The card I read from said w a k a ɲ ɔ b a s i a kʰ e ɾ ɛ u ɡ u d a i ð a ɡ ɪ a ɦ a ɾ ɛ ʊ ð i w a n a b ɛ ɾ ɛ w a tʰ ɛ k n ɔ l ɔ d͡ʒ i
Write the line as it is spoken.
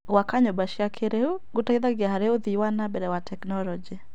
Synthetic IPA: w a k a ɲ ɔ b a ʃ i a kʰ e ɾ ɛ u ɡ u t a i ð a ɡ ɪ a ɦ a ɾ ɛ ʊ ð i w a n a b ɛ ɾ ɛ w a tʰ ɛ k n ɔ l ɔ d͡ʒ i